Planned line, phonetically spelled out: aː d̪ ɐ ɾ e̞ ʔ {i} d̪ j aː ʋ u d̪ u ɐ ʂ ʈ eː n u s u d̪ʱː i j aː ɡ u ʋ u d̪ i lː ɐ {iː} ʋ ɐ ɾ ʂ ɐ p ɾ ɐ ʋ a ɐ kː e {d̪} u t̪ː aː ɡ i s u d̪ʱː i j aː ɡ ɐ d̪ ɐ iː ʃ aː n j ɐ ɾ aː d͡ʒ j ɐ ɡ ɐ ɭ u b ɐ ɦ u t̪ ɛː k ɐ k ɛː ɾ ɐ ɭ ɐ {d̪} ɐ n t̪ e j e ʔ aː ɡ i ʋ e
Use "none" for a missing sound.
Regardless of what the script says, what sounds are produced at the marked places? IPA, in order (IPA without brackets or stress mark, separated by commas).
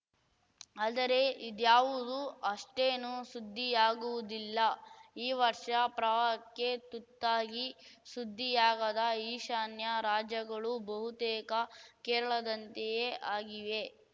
i, iː, t̪, d̪